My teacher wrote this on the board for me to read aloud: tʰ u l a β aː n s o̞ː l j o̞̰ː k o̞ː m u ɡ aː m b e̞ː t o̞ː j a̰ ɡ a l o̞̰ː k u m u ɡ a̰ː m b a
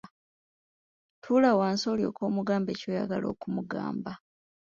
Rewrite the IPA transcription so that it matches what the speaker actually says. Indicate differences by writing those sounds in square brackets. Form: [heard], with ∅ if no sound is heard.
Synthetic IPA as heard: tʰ u l a [w] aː n s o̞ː l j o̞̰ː k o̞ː m u ɡ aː m b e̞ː [c] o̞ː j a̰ ɡ a l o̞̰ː k u m u ɡ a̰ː m b a

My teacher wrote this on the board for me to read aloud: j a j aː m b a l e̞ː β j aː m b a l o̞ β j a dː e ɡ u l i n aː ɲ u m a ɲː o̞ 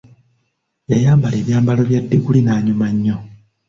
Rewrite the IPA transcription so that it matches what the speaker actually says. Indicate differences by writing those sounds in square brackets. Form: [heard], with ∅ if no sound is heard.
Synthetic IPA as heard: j a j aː m b a l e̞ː β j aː m b a l o̞ β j a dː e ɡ u l i n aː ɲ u m a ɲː o̞

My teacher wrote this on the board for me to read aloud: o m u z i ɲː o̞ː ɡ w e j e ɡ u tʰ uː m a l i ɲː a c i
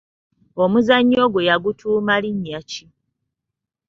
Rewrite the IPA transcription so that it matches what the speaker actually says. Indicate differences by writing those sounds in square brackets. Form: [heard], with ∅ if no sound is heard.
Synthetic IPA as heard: o m u z [a] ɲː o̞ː ɡ w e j [a] ɡ u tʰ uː m a l i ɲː a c i

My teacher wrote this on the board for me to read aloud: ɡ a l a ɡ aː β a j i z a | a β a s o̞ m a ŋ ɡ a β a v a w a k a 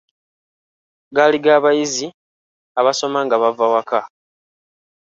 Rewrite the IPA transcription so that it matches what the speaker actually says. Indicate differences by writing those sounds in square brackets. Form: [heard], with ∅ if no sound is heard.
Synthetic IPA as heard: ɡ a l [i] ɡ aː β a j i z [i] | a β a s o̞ m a ŋ ɡ a β a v a w a k a

